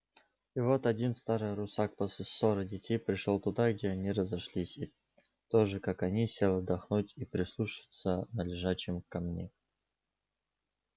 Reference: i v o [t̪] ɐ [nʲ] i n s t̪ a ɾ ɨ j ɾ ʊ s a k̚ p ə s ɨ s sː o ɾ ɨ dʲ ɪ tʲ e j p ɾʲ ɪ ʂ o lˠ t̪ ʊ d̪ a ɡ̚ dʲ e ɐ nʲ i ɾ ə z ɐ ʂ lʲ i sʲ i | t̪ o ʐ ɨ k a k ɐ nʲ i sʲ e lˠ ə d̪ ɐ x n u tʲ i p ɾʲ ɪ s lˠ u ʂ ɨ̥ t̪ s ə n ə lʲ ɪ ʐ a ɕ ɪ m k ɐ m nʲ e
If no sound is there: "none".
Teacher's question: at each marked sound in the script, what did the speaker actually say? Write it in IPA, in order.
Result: t̪, dʲ

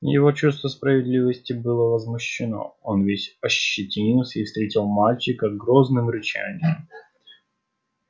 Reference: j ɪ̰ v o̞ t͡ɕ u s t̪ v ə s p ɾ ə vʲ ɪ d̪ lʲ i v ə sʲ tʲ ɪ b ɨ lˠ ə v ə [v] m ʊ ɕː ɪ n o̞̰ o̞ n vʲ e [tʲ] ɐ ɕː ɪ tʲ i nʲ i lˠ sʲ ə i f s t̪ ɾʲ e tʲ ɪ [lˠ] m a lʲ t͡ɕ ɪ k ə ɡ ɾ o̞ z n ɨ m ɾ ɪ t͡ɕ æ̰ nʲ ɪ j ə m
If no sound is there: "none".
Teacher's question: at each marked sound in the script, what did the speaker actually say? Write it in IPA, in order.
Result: z, sʲ, lˠ

